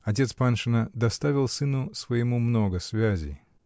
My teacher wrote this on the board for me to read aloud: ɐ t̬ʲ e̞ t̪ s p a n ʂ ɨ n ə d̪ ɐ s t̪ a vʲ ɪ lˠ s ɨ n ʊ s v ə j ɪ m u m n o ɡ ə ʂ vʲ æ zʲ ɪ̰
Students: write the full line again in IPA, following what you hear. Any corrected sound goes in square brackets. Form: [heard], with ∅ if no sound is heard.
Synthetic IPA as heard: ɐ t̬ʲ e̞ t̪ s p a n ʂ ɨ n ə d̪ ɐ s t̪ a vʲ ɪ lˠ s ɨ n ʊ s v ə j ɪ m u m n o ɡ ə [s] vʲ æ zʲ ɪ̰